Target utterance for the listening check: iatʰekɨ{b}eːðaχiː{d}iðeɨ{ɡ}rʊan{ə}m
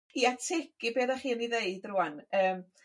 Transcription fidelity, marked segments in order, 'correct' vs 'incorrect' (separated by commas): correct, incorrect, incorrect, incorrect